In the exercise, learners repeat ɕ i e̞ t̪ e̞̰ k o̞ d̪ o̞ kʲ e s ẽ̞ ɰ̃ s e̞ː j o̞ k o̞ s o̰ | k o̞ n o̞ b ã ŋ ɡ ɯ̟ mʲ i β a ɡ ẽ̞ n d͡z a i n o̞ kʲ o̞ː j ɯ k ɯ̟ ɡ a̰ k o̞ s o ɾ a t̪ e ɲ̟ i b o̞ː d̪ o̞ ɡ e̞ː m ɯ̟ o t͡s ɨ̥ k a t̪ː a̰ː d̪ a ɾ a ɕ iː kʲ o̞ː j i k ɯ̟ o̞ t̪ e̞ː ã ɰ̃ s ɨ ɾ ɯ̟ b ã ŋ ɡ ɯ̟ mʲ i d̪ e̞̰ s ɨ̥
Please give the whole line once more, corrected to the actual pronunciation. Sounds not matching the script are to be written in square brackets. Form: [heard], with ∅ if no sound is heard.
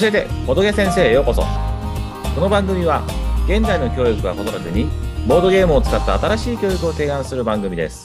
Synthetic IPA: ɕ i e̞ t̪ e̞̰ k o̞ d̪ o̞ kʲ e s ẽ̞ ɰ̃ s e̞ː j o̞ k o̞ s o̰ | k o̞ n o̞ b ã ŋ ɡ ɯ̟ mʲ i β a ɡ ẽ̞ n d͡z a i n o̞ kʲ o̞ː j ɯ k ɯ̟ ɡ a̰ k o̞ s o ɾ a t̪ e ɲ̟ i b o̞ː d̪ o̞ ɡ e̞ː m ɯ̟ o t͡s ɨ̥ k a t̪ː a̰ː [t̪] a ɾ a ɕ iː kʲ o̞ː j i k ɯ̟ o̞ t̪ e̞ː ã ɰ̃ s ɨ ɾ ɯ̟ b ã ŋ ɡ ɯ̟ mʲ i d̪ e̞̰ s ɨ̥